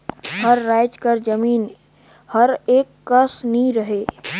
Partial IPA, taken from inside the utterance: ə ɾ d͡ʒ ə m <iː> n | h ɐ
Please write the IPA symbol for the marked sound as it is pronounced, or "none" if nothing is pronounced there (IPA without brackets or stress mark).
iː